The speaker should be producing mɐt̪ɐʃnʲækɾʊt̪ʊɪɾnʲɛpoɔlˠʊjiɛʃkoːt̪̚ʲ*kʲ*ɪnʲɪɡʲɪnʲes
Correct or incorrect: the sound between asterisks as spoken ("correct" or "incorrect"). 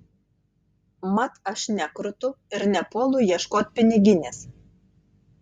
incorrect